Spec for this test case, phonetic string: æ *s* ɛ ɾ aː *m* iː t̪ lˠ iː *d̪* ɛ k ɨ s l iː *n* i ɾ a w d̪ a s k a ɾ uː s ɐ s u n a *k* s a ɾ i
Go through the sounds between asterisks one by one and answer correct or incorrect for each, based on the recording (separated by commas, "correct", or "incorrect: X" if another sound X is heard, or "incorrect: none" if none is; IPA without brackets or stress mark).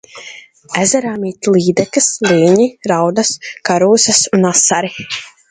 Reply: incorrect: z, correct, correct, incorrect: ɲ, incorrect: none